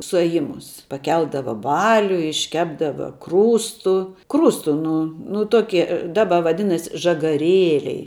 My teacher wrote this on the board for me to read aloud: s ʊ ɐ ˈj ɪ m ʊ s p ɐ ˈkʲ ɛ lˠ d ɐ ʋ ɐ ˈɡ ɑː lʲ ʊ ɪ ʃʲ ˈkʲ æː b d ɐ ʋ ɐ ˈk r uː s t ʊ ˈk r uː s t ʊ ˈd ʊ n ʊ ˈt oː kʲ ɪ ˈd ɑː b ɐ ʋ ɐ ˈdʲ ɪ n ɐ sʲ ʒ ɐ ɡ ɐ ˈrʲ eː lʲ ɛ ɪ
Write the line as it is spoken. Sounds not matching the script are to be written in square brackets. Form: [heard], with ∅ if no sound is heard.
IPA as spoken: s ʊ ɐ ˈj ɪ m ʊ s p ɐ ˈkʲ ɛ lˠ d ɐ ʋ ɐ [ˈb] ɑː lʲ ʊ ɪ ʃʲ ˈkʲ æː b d ɐ ʋ ɐ ˈk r uː s t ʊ ˈk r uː s t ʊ [ˈn] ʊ n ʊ ˈt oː kʲ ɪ ˈd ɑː b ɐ ʋ ɐ ˈdʲ ɪ n ɐ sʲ ʒ ɐ ɡ ɐ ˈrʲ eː lʲ ɛ ɪ